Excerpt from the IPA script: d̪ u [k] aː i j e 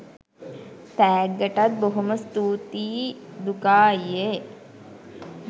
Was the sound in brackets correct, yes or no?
yes